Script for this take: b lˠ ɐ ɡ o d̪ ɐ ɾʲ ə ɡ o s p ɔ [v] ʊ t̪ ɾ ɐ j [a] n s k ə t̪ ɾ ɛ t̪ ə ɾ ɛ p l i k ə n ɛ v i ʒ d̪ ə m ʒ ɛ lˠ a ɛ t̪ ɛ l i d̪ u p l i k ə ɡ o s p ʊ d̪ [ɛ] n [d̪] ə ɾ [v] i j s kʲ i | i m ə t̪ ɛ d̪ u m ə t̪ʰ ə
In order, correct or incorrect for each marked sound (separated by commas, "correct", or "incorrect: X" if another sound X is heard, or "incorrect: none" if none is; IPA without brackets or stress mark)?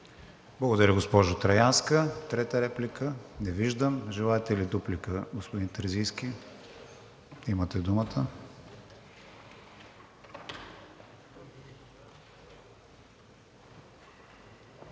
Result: incorrect: ʒ, correct, incorrect: i, incorrect: t̪, incorrect: z